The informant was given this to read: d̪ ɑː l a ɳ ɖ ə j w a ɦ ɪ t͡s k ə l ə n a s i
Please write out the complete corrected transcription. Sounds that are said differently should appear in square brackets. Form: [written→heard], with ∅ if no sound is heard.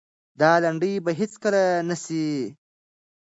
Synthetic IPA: d̪ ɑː l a ɳ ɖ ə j [w→b] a ɦ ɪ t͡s k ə l [ə→a] n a s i